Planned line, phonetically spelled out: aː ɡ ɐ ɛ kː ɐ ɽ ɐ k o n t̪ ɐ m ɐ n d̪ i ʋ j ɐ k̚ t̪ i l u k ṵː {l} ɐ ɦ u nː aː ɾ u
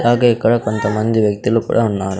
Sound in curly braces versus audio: incorrect: ɽ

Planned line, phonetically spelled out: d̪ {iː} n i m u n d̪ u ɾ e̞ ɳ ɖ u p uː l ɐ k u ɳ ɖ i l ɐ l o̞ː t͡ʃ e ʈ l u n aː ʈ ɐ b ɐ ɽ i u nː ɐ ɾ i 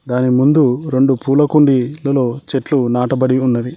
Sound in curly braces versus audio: incorrect: aː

